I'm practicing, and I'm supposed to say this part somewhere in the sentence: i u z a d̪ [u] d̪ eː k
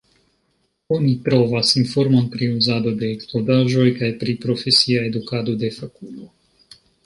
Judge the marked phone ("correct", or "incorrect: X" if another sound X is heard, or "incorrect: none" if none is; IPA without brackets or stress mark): incorrect: o